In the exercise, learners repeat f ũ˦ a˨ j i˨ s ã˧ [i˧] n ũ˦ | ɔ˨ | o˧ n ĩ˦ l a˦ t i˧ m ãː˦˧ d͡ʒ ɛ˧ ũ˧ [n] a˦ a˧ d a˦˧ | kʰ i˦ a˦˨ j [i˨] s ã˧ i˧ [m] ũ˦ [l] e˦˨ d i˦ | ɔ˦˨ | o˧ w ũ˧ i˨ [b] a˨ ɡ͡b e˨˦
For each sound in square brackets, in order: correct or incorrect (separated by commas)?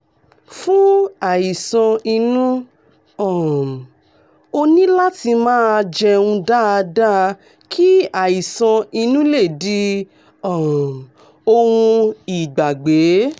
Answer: correct, incorrect, correct, incorrect, correct, incorrect